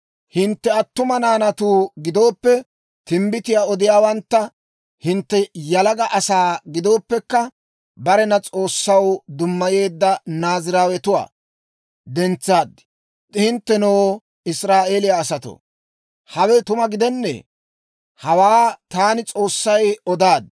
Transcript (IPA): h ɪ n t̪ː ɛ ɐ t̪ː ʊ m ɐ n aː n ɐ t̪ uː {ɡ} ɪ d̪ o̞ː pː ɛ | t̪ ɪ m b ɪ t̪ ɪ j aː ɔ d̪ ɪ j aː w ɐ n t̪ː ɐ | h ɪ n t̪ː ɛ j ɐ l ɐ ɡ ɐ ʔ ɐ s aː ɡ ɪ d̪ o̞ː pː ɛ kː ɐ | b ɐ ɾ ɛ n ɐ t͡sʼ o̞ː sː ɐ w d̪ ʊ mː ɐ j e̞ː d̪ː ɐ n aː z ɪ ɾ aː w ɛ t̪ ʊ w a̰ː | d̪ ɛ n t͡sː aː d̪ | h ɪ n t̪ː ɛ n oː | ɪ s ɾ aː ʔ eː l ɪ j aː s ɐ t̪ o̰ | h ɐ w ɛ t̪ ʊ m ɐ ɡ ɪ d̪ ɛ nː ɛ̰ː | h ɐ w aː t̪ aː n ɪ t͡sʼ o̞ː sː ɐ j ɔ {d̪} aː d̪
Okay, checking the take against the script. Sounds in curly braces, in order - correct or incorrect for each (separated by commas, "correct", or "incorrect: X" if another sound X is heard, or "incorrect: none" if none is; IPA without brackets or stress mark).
correct, correct